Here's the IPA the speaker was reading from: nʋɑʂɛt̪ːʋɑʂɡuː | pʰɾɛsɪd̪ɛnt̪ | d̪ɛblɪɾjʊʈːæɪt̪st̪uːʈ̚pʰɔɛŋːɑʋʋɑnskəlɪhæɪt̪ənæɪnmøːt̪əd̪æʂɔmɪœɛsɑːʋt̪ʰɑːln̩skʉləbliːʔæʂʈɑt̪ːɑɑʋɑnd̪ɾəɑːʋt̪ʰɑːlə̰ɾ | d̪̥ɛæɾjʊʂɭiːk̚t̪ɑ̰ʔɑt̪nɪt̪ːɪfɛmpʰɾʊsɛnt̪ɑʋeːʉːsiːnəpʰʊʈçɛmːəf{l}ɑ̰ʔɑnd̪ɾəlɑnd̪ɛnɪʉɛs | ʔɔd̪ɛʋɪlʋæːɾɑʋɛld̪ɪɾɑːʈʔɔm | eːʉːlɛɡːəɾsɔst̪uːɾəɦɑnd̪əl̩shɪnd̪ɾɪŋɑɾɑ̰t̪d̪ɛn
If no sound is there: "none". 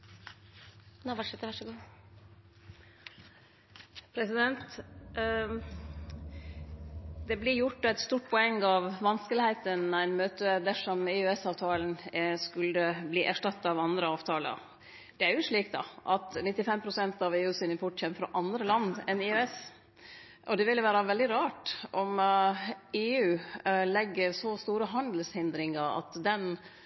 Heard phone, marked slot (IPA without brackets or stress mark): ɾ